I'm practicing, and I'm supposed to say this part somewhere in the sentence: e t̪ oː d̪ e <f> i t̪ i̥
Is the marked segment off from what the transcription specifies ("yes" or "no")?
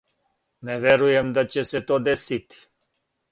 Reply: yes